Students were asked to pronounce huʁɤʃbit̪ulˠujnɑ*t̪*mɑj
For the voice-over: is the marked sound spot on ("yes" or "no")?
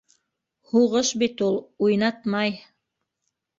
yes